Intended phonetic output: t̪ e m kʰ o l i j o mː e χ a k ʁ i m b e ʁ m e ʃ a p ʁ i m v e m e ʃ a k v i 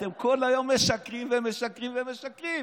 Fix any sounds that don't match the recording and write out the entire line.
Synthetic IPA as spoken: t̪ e m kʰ o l a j o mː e ʃ a k ʁ i m v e m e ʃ a k ʁ i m v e m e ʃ a k ʁ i